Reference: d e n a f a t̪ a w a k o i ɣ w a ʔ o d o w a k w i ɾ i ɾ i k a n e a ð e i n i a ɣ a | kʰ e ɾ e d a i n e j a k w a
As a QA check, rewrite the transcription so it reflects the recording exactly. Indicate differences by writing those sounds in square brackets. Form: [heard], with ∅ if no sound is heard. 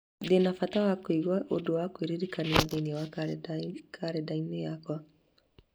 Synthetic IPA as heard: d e n a f a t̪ a w a k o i ɣ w a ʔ o d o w a k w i ɾ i ɾ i k a n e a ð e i n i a [w] a | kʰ [a] ɾ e d a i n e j a k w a